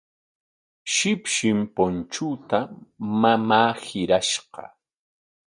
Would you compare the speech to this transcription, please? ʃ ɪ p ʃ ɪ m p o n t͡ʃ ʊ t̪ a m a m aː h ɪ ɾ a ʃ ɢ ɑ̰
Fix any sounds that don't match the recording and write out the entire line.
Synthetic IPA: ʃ ɪ p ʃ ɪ m p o n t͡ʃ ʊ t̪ a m a m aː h ɪ ɾ a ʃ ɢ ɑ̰

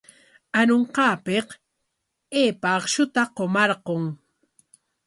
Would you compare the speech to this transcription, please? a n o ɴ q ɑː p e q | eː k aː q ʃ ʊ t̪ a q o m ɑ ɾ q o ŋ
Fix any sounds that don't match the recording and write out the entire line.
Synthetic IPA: a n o ɴ q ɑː p e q | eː p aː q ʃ ʊ t̪ a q o m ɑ ɾ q o ŋ

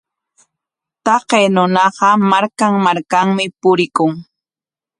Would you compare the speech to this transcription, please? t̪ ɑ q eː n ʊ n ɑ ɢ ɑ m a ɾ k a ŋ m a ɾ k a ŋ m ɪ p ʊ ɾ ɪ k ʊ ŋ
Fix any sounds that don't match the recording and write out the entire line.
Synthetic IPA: t̪ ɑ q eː n ʊ n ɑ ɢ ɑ m a ɾ k a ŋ m a ɾ k a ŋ m ɪ p ʊ ɾ ɪ k ʊ ŋ

